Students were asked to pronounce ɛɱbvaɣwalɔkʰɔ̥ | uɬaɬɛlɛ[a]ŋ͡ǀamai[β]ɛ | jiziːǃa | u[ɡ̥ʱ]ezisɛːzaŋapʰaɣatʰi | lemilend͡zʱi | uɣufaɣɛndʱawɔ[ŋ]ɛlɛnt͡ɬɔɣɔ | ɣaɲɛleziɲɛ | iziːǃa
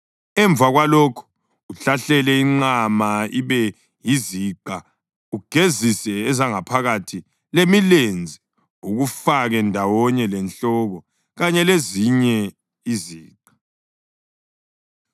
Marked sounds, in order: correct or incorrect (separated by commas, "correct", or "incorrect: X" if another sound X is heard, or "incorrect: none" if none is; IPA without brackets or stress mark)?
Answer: incorrect: i, correct, correct, incorrect: ɲ